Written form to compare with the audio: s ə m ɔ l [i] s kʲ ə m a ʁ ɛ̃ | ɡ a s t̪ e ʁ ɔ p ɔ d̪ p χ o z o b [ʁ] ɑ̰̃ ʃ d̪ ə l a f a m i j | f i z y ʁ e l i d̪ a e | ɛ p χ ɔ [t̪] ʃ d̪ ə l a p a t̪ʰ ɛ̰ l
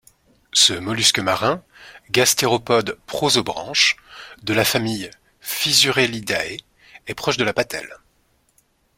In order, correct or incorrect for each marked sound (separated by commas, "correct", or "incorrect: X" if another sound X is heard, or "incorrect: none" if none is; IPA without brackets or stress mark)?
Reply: incorrect: y, correct, incorrect: none